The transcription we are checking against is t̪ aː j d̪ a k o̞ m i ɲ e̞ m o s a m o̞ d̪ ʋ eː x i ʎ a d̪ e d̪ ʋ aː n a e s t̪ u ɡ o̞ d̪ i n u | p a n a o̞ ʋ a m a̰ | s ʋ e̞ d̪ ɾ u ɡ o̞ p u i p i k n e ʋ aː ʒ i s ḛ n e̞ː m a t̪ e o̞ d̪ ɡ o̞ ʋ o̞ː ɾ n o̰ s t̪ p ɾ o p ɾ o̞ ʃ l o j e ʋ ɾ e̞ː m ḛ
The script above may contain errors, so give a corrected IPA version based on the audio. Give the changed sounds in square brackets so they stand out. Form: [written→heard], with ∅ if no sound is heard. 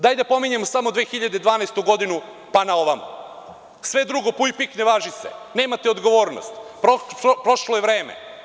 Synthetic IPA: [t̪→d̪] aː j d̪ a [k→p] o̞ m i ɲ e̞ m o s a m o̞ d̪ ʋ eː x i ʎ a d̪ e d̪ ʋ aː n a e s t̪ u ɡ o̞ d̪ i n u | p a n a o̞ ʋ a m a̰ | s ʋ e̞ d̪ ɾ u ɡ o̞ p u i p i k n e ʋ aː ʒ i s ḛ n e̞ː m a t̪ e o̞ d̪ ɡ o̞ ʋ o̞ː ɾ n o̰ s t̪ p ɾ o p ɾ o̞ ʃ l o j e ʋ ɾ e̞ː m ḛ